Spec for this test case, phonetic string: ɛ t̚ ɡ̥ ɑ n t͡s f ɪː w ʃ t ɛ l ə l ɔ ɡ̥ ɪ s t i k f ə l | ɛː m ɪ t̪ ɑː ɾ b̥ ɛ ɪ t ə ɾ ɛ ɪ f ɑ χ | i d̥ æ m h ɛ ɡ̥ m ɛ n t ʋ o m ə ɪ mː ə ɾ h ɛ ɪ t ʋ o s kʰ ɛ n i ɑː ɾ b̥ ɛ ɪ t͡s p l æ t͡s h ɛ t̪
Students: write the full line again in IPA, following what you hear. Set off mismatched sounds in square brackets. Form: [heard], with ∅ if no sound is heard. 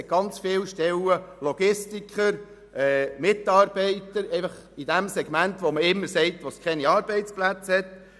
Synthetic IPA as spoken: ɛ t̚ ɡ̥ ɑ n t͡s f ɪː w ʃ t ɛ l ə l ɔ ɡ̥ ɪ s t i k [χ] ə [ɾ] | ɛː m ɪ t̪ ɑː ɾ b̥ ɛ ɪ t ə ɾ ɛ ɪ f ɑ χ | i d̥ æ m [s] ɛ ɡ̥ m [æ] n t ʋ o m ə ɪ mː ə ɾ [s] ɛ ɪ t ʋ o s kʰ ɛ n i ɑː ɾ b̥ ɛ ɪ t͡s p l æ t͡s h ɛ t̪